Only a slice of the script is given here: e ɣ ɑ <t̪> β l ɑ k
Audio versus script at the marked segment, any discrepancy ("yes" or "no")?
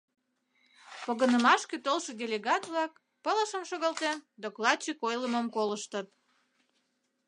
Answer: no